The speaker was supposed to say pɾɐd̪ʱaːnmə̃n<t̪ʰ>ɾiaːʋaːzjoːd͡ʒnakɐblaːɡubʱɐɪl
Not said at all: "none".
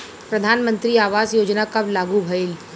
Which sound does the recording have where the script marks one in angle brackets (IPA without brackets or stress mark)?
t̪